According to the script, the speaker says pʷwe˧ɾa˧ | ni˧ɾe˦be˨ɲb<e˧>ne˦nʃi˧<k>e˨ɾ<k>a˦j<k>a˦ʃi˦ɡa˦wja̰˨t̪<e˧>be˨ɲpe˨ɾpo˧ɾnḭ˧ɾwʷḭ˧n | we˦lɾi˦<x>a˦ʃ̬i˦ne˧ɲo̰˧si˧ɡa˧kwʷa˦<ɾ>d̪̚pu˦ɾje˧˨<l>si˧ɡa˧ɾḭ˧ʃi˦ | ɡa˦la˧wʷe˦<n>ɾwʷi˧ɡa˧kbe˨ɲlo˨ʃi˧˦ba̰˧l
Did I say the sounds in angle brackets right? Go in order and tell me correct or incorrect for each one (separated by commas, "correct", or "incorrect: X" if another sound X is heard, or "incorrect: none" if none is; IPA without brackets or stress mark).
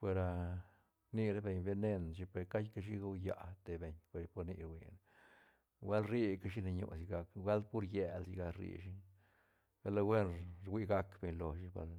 correct, incorrect: p, correct, correct, correct, incorrect: k, incorrect: l, correct, correct